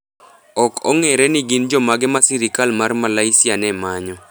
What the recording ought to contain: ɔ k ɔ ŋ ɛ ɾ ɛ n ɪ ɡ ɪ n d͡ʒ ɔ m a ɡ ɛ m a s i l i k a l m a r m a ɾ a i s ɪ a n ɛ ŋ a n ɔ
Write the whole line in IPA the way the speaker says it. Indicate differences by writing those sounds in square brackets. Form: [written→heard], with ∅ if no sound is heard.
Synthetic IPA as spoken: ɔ k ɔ ŋ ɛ ɾ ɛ n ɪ ɡ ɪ n d͡ʒ ɔ m a ɡ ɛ m a s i [l→ɾ] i k a l m a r m a [ɾ→l] a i s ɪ a n ɛ [ŋ→m] a [n→ɲ] ɔ

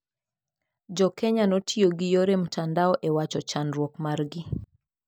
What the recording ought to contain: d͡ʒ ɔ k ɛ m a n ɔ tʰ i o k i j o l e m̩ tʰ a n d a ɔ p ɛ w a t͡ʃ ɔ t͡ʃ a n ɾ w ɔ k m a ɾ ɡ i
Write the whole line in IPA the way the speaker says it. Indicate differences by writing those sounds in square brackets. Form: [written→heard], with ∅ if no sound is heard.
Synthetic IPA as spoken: d͡ʒ ɔ k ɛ [m→ɲ] a n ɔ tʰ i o [k→ɡ] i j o [l→ɾ] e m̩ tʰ a n d a ɔ [p→ʔ] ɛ w a t͡ʃ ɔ t͡ʃ a n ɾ w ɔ k m a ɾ ɡ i

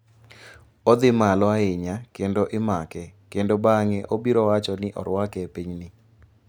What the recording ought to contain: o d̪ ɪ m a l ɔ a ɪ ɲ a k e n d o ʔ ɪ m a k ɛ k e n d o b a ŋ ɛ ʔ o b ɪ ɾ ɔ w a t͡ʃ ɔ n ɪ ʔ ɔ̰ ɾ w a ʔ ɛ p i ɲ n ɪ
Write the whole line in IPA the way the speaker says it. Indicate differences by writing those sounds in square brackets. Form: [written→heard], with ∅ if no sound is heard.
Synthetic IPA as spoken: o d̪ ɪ m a l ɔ a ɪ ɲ a k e n d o ʔ ɪ m a k ɛ k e n d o b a ŋ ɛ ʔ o b [ɪ→i] ɾ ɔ w a t͡ʃ ɔ n ɪ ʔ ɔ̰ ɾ w a [ʔ→k] ɛ p i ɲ n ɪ

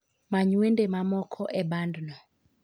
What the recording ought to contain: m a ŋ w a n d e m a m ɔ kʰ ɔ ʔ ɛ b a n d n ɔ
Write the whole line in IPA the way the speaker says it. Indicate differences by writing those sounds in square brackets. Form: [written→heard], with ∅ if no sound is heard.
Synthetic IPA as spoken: m a [ŋ→ɲ] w [a→e] n d e m a m ɔ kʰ ɔ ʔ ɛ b a n d n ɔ

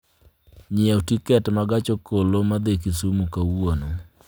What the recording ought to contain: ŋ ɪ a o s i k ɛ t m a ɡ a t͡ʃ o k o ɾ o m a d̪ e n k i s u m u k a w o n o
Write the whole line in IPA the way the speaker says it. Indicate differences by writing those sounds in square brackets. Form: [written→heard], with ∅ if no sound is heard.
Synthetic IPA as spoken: [ŋ→ɲ] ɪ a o [s→t] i k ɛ t m a ɡ a t͡ʃ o k o [ɾ→l] o m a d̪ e [n→∅] k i s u m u k a w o n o

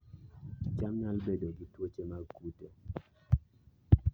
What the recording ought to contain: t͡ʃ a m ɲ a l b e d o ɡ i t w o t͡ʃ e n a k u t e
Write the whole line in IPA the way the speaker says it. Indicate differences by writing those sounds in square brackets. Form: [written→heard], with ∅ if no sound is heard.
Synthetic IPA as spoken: t͡ʃ a m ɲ a l b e d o ɡ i t w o t͡ʃ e [n→m] a k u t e

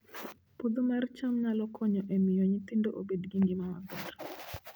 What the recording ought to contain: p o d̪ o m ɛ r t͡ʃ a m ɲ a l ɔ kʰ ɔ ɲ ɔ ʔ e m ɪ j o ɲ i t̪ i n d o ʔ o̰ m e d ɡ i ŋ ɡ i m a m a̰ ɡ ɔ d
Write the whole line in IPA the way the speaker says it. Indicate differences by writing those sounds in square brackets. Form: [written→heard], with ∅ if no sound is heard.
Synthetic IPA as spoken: p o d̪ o m ɛ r t͡ʃ a m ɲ a l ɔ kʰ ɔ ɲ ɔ ʔ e m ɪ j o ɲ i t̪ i n d o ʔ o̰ [m→b] e d ɡ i ŋ ɡ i m a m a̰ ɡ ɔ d

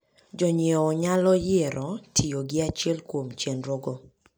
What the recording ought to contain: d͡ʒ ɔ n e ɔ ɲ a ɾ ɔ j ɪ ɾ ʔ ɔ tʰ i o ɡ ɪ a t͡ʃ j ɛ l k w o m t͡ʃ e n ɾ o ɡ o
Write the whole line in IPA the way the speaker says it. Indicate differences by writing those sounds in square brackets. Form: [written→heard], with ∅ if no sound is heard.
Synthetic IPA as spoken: d͡ʒ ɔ [n→ɲ] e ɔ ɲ a [ɾ→l] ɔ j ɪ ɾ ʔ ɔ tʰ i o ɡ ɪ a t͡ʃ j ɛ l k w o m t͡ʃ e n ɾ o ɡ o

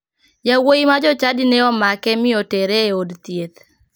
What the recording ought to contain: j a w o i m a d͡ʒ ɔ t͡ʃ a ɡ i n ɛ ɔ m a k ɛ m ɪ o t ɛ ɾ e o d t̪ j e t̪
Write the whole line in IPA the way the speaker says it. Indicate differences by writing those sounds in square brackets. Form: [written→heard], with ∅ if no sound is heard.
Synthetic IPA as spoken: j a w o i m a d͡ʒ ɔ t͡ʃ a [ɡ→d] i n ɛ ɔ m a k ɛ m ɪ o t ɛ ɾ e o d t̪ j e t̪

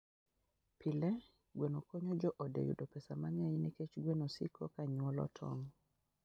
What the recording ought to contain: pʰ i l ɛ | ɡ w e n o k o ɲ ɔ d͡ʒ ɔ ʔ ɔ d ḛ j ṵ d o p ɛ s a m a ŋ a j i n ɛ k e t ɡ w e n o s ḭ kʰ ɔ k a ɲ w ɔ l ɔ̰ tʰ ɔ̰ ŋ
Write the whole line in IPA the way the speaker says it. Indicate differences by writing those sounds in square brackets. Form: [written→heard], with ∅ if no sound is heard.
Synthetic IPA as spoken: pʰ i l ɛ | ɡ w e n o k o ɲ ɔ d͡ʒ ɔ ʔ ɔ d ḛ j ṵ d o p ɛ s a m a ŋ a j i n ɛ k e [t→t͡ʃ] ɡ w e n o s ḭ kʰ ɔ k a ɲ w ɔ l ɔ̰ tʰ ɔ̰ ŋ

